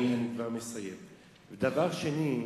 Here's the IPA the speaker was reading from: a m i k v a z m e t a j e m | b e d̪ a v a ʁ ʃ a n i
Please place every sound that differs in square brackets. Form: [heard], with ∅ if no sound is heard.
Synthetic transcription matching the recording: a [n] i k v a [ʁ] m e [s] a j e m | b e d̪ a v a ʁ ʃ [e] n i